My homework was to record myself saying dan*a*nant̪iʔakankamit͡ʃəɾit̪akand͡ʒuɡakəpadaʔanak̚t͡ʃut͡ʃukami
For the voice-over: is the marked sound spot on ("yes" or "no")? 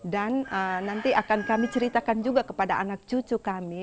no